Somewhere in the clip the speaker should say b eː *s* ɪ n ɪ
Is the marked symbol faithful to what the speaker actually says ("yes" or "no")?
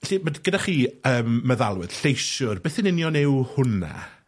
no